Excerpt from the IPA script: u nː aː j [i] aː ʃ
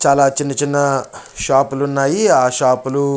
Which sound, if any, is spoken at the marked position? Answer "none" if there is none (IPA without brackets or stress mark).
i